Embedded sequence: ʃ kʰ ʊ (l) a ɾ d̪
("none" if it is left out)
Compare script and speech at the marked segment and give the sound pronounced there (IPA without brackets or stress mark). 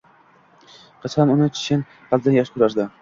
ɾ